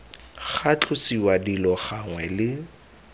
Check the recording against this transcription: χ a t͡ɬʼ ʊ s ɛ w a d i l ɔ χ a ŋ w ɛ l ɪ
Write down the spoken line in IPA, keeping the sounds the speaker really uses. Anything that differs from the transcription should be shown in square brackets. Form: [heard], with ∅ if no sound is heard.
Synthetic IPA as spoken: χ a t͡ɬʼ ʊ s [i] w a d i l ɔ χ a ŋ w ɛ l ɪ